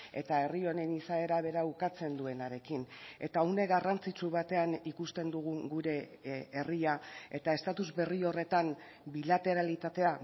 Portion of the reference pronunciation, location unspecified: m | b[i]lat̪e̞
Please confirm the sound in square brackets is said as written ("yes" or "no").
yes